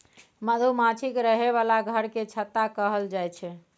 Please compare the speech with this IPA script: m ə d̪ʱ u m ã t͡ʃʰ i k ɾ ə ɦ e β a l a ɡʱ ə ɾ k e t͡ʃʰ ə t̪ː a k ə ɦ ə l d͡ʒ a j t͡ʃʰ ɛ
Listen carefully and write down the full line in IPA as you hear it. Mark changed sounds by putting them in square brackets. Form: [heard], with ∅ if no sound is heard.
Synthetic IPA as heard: m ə d̪ʱ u m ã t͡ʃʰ i k ɾ ə ɦ e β a l a ɡʱ ə ɾ k e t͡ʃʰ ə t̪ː a k ə ɦ ə l d͡ʒ a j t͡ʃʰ ɛ